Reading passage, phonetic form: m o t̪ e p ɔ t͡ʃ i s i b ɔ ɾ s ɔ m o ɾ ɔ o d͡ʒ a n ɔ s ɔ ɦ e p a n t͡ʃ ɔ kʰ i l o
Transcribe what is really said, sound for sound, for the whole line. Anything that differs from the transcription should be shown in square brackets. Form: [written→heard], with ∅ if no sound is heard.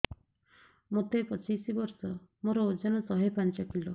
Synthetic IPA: m o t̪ e p ɔ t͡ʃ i s i b ɔ ɾ s ɔ m o ɾ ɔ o d͡ʒ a n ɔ s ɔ ɦ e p a n t͡ʃ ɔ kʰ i l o